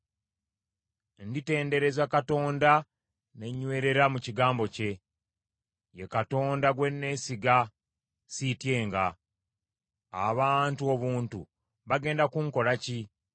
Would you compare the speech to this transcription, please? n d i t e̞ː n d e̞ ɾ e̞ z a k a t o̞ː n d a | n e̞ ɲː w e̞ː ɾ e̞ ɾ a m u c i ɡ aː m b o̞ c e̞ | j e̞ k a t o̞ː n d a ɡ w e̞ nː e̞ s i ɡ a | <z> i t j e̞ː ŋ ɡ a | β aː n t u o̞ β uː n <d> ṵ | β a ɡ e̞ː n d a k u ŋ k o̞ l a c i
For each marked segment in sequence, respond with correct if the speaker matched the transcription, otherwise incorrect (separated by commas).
incorrect, incorrect